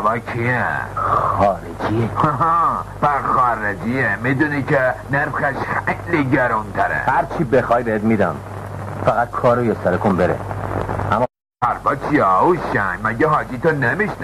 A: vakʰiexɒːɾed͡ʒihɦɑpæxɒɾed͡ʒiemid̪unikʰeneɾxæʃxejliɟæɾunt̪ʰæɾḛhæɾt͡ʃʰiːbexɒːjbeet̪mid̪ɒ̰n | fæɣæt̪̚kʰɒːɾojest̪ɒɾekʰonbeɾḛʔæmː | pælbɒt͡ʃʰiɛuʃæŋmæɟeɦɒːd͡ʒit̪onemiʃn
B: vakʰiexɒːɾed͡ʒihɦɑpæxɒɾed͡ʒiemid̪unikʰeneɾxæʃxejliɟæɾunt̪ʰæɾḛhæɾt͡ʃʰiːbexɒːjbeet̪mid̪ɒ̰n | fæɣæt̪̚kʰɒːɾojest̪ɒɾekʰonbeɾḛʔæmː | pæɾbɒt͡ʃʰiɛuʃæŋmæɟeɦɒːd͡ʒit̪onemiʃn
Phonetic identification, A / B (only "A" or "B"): B